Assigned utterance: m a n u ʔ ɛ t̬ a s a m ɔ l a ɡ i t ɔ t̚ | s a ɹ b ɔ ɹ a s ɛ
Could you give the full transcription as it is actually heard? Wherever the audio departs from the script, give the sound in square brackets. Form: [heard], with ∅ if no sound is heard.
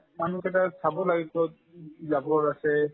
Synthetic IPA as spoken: m a n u [k] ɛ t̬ a s a [b] ɔ l a ɡ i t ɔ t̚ | [z] a [∅] b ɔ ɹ a s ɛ